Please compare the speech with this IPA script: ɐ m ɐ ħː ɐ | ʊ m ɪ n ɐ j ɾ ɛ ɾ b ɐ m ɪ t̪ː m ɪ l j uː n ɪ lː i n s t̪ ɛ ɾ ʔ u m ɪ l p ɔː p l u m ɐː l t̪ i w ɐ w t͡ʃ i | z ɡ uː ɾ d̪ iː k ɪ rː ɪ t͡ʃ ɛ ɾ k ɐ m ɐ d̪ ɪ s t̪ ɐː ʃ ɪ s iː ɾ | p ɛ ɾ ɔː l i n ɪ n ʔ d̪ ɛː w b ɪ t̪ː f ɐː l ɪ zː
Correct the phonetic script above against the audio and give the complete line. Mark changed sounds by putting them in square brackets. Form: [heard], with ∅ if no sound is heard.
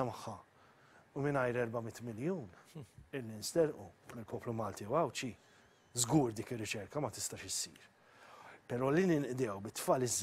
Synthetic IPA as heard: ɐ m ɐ ħː ɐ | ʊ m ɪ n ɐ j ɾ ɛ ɾ b ɐ m ɪ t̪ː m ɪ l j uː n ɪ lː i n s t̪ ɛ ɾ ʔ u m ɪ l p ɔː p l u m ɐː l t̪ i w ɐ w t͡ʃ i | z ɡ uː ɾ d̪ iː k ɪ rː ɪ t͡ʃ ɛ ɾ k ɐ m ɐ [t̪] ɪ s t̪ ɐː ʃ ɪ s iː ɾ | p ɛ ɾ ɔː l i n ɪ n ʔ d̪ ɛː w b ɪ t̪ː f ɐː l ɪ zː